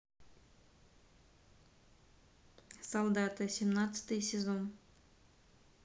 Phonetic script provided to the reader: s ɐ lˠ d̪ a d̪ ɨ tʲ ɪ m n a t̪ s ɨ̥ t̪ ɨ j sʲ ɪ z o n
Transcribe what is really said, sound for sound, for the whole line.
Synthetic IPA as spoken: s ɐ lˠ d̪ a t̪ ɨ sʲ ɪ m n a t̪ s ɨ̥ t̪ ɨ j sʲ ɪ z o n